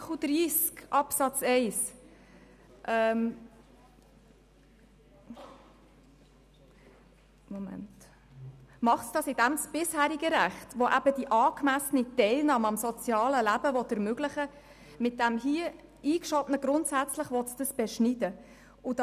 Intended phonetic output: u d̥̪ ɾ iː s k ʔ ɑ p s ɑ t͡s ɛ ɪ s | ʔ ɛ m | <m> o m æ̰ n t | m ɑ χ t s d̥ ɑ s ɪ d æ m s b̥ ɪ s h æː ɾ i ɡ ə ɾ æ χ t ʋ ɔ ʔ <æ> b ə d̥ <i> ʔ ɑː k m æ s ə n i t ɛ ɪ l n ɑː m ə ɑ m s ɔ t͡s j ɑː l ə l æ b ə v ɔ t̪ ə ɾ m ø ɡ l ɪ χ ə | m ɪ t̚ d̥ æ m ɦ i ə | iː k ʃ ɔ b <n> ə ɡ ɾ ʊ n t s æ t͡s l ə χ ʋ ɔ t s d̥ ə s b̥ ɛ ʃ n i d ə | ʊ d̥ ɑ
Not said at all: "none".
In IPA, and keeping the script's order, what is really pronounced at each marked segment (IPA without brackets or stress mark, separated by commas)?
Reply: m, æ, i, n